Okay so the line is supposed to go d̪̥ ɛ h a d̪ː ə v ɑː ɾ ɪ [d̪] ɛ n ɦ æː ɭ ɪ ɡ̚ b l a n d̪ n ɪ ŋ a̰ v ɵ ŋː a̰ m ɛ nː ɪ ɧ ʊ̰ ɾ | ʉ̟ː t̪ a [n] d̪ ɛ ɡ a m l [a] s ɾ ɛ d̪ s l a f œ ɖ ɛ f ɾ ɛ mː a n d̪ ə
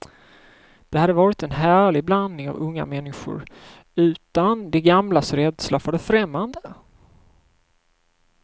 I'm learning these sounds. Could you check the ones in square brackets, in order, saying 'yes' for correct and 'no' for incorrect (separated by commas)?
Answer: no, yes, yes